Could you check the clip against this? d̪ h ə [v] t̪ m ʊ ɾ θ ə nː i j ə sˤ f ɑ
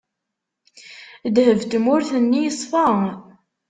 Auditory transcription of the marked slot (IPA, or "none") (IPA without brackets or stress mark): v